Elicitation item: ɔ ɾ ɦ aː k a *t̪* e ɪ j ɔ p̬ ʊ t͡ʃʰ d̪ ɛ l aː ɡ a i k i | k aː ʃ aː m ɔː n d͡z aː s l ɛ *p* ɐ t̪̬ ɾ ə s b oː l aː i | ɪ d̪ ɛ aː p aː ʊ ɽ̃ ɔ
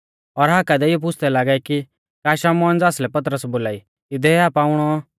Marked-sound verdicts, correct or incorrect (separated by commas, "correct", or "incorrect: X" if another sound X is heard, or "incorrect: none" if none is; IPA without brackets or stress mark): incorrect: d̪, correct